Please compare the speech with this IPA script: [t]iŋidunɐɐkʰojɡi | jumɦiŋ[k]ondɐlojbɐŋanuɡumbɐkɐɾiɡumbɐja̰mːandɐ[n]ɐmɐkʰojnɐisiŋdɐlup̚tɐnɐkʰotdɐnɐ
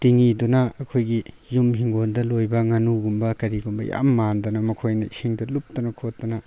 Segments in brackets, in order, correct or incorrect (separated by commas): correct, incorrect, correct